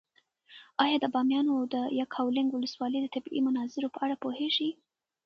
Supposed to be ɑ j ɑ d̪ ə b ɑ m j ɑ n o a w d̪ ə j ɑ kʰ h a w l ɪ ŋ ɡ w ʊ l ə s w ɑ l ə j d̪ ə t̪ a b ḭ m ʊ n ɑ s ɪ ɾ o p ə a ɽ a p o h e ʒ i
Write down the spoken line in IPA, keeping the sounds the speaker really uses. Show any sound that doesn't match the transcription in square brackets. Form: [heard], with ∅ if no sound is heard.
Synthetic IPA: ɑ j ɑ d̪ ə b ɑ m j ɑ n o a w d̪ ə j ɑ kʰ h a w l ɪ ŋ ɡ w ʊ l ə s w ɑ l ə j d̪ ə t̪ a b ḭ m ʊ n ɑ [z] ɪ ɾ o p ə a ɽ a p o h e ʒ i